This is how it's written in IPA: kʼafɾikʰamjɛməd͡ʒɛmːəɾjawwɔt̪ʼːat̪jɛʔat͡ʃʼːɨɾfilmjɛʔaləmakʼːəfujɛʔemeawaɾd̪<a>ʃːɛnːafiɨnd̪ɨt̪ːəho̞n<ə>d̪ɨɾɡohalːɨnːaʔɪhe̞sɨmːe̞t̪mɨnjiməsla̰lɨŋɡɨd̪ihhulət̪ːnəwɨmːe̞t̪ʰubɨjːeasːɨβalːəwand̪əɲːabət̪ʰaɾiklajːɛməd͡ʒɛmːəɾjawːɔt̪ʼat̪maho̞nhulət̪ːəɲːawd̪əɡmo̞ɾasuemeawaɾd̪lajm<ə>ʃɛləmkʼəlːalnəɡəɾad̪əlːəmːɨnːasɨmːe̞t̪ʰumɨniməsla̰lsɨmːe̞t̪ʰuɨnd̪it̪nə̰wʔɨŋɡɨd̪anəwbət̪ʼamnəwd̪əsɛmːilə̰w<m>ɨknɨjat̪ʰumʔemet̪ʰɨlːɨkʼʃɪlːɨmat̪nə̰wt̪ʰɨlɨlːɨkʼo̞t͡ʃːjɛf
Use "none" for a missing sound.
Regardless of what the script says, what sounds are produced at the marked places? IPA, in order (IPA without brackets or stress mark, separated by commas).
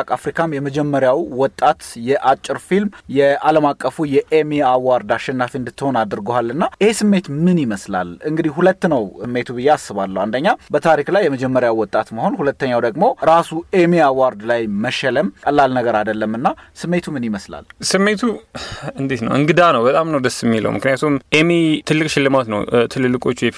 a, a, ə, m